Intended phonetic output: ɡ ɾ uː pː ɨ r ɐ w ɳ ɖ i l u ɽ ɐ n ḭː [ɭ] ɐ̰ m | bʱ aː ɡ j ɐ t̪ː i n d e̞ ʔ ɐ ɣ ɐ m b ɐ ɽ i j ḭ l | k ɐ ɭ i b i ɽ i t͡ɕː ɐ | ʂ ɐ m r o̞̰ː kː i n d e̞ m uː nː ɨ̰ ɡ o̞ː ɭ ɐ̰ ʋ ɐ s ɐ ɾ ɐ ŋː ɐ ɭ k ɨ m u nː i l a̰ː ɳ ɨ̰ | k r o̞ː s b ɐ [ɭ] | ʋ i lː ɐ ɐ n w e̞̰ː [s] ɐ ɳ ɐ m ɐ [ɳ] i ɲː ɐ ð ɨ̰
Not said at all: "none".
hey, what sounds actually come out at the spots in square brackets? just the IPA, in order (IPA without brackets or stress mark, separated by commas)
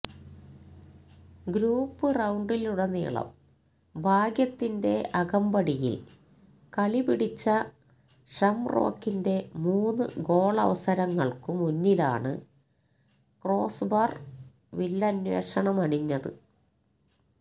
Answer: ɭ, r, ʂ, ɳ